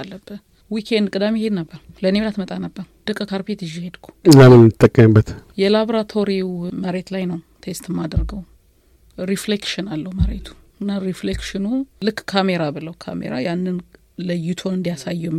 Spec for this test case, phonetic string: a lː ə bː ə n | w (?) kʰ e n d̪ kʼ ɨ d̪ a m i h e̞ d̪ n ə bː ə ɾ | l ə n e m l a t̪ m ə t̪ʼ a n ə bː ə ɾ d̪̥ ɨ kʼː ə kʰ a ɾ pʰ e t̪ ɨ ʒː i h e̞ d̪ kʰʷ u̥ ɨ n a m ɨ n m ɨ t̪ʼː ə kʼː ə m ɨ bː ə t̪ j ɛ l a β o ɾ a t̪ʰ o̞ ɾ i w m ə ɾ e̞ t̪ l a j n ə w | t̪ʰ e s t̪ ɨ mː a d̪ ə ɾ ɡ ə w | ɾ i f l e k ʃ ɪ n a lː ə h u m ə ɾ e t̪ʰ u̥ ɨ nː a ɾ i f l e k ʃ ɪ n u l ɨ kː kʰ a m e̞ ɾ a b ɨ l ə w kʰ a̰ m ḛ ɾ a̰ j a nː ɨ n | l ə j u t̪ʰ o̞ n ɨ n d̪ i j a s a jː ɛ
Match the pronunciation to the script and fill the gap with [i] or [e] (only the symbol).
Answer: i